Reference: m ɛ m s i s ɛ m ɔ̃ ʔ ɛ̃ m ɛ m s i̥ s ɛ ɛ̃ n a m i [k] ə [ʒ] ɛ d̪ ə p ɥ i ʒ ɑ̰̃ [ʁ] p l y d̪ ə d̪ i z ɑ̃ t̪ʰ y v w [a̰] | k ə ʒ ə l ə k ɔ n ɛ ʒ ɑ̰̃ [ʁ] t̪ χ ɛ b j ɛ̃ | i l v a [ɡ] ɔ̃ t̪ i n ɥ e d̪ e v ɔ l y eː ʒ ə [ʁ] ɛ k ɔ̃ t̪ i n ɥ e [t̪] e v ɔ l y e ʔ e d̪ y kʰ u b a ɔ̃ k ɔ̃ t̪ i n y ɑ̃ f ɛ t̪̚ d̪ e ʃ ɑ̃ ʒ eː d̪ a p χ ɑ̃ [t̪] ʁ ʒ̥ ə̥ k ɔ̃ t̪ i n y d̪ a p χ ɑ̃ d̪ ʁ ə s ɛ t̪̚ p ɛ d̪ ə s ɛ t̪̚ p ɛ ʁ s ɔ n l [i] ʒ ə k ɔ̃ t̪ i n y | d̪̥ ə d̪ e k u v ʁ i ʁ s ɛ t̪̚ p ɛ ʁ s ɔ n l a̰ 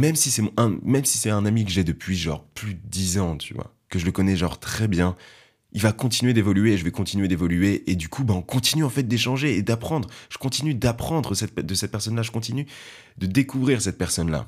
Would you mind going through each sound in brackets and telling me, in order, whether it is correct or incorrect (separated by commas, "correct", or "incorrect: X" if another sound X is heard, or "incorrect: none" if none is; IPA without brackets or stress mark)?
correct, correct, correct, correct, correct, incorrect: k, incorrect: v, incorrect: d̪, incorrect: d̪, incorrect: a